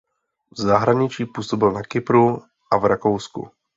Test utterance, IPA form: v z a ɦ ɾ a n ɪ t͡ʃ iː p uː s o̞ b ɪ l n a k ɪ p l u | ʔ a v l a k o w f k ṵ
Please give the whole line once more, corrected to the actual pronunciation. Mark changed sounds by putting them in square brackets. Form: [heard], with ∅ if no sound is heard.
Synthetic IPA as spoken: v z a ɦ ɾ a [ɲ] ɪ t͡ʃ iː p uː s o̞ b ɪ l n a k ɪ p [ɾ] u | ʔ a v [ɾ] a k o w [s] k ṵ